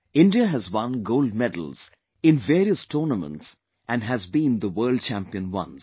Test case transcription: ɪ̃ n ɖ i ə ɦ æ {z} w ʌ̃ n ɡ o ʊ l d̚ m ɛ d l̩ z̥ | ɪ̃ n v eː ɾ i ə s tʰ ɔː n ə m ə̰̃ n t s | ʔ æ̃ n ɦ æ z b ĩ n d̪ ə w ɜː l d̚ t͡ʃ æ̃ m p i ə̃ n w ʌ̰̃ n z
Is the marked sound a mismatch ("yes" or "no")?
no